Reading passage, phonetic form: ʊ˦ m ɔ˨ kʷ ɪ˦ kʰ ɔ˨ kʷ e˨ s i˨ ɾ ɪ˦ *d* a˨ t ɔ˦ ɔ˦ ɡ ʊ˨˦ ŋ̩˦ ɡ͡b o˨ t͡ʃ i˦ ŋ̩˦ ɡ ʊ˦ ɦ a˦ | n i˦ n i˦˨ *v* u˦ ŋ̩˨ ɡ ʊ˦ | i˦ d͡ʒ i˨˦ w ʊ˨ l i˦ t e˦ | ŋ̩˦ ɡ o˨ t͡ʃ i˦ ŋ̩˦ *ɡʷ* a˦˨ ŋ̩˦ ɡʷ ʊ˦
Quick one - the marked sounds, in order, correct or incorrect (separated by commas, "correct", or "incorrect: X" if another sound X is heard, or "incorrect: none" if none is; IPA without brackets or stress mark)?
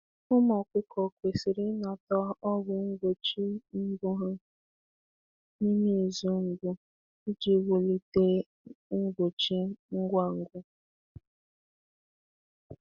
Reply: incorrect: n, incorrect: z, correct